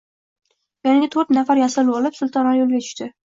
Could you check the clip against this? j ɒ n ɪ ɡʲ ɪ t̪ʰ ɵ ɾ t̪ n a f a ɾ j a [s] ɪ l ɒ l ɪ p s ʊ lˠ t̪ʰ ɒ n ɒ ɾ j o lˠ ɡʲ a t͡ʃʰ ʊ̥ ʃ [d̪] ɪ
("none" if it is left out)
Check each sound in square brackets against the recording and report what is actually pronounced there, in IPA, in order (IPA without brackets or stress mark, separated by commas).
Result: s, t̪